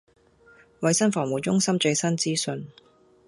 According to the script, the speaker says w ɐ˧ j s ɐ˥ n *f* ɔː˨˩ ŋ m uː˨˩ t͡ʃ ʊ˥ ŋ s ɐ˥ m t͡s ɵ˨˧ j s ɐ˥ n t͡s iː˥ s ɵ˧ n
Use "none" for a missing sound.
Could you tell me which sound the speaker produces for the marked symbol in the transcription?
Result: f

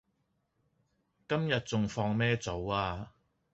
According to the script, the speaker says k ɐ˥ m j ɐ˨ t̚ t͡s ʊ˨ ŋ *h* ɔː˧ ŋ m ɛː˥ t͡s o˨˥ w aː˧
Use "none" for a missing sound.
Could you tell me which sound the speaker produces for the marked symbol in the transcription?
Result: f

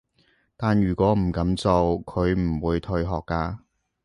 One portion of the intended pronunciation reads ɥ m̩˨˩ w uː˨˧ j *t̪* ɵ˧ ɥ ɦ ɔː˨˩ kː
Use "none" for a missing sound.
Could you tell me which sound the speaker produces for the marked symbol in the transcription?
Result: t̪ʰ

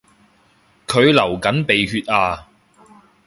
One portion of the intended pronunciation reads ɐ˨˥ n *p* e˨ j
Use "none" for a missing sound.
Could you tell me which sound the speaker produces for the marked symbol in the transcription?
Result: p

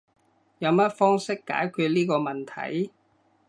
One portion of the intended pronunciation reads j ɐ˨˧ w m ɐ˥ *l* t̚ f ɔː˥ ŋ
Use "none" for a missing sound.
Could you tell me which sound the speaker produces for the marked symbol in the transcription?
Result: none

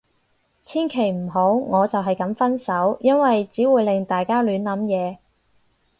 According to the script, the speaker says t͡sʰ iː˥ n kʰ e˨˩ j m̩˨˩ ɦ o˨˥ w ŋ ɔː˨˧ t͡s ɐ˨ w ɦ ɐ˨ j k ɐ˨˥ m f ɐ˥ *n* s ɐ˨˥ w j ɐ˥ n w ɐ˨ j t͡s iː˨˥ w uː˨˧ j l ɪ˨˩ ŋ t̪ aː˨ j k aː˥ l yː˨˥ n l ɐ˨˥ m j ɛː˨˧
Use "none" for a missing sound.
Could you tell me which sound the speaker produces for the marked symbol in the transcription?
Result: n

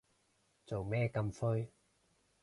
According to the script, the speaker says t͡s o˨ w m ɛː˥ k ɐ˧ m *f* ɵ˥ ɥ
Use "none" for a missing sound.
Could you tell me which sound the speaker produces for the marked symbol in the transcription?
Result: f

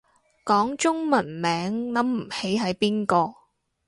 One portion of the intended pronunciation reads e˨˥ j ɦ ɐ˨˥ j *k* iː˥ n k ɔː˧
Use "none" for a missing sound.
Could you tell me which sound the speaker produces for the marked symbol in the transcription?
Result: p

